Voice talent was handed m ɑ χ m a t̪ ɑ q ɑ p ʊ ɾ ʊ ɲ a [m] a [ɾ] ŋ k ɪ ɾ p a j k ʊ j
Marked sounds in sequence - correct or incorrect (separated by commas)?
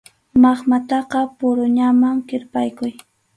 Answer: correct, incorrect